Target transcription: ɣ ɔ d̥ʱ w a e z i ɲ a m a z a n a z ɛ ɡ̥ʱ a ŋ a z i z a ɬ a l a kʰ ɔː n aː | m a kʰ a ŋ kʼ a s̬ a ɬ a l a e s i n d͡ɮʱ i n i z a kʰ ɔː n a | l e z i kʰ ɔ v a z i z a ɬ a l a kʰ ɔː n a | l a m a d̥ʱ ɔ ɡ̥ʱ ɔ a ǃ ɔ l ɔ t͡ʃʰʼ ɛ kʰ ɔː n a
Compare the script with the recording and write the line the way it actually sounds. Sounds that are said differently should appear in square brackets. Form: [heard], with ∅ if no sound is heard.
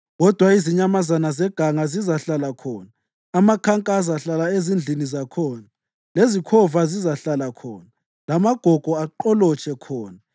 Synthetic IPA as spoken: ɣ ɔ d̥ʱ w a [i] z i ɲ a m a z a n a z ɛ ɡ̥ʱ a ŋ a z i z a ɬ a l a kʰ ɔː n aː | m a kʰ a ŋ kʼ a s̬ a ɬ a l a e [z] i n d͡ɮʱ i n i z a kʰ ɔː n a | l e z i kʰ ɔ v a z i z a ɬ a l a kʰ ɔː n a | l a m a [ɡ̥ʱ] ɔ ɡ̥ʱ ɔ a ǃ ɔ l ɔ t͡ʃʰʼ ɛ kʰ ɔː n a